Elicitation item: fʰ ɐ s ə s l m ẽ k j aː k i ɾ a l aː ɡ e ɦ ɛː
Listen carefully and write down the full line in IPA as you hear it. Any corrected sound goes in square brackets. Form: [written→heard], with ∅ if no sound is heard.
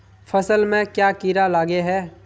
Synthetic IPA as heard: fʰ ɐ s ə [s→∅] l m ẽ k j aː k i ɾ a l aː ɡ e ɦ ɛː